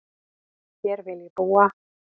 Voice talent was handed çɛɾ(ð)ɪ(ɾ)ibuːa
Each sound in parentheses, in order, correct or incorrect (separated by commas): incorrect, incorrect